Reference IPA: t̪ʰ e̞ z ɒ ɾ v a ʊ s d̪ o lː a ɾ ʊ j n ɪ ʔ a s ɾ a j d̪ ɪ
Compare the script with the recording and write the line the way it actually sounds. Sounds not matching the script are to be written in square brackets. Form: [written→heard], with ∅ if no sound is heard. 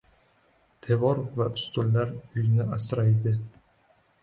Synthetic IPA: t̪ʰ e̞ [z→v] ɒ ɾ v a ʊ s [d̪→t̪] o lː a ɾ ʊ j n ɪ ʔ a s ɾ a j d̪ ɪ